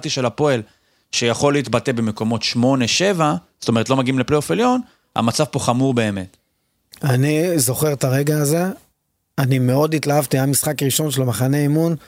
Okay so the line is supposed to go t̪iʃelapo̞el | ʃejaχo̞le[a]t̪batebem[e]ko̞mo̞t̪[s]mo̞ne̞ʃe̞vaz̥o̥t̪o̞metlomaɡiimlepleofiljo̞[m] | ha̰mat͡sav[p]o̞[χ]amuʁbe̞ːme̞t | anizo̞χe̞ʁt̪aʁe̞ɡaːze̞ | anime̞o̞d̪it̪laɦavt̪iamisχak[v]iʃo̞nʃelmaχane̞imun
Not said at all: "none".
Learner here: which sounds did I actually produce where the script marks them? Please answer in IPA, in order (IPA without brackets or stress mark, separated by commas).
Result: i, e, ʃ, n, p, χ, ʁ